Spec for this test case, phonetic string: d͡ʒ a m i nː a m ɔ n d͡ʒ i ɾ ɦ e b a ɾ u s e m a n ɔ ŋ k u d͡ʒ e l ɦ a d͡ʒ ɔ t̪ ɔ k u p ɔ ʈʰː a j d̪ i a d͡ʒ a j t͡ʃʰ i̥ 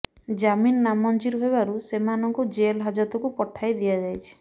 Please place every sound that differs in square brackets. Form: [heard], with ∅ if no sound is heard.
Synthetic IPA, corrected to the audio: d͡ʒ a m i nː a m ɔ n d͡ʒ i ɾ ɦ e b a ɾ u s e m a n ɔ ŋ k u d͡ʒ e l ɦ a d͡ʒ ɔ t̪ ɔ k u p ɔ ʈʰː a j d̪ i a d͡ʒ a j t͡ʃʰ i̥